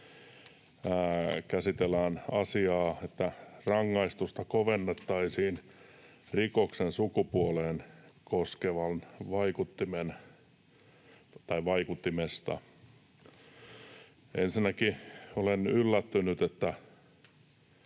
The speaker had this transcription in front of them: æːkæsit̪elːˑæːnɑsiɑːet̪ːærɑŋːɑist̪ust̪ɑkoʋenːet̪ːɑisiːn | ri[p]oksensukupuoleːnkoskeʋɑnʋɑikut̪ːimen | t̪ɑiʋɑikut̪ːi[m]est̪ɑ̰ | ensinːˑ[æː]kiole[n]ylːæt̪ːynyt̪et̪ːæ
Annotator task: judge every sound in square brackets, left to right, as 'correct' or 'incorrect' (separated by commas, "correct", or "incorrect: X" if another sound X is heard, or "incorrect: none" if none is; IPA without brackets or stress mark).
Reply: incorrect: k, correct, incorrect: æ, correct